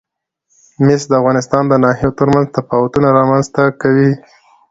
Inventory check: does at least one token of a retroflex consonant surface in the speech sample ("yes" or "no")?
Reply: no